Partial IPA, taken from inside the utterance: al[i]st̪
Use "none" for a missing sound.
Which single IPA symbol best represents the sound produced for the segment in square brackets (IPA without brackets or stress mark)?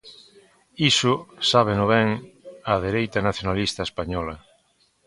i